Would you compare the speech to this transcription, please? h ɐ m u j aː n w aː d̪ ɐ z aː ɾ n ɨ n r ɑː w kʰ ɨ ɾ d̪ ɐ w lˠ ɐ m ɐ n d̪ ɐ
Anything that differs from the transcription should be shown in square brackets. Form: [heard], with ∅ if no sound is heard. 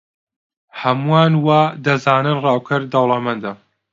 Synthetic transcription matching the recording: h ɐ m u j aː n w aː d̪ ɐ z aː [∅] n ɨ n r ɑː w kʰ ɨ ɾ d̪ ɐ w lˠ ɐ m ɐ n d̪ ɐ